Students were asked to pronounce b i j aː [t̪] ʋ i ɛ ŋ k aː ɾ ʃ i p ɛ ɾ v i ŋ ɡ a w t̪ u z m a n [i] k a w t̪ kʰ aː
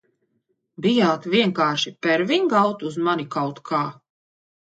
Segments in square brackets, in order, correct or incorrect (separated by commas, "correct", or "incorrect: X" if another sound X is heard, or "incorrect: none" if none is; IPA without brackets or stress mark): correct, correct